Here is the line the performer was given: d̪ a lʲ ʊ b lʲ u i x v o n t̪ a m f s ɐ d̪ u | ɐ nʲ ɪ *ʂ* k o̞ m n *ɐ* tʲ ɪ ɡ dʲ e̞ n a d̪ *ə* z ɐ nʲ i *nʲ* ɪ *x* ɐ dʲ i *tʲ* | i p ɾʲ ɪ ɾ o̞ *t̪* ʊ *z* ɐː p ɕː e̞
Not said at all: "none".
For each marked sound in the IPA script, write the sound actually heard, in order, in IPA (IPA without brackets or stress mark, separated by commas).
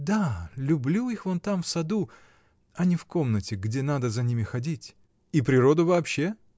f, ə, ə, mʲ, x, tʲ, d̪, v